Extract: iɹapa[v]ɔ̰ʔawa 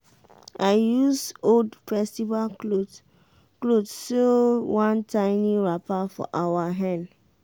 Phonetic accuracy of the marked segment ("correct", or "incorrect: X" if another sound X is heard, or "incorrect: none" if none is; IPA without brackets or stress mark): incorrect: f